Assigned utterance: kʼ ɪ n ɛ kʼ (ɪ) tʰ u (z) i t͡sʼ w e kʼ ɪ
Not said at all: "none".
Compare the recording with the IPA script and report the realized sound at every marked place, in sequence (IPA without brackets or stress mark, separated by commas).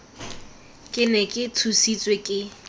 ɪ, s